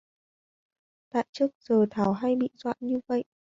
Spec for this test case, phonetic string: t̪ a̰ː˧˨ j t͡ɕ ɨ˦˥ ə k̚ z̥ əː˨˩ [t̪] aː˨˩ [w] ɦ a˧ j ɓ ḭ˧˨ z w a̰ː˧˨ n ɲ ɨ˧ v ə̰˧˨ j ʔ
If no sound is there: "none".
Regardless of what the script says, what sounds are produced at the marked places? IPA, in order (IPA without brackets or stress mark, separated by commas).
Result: t̪ʰ, w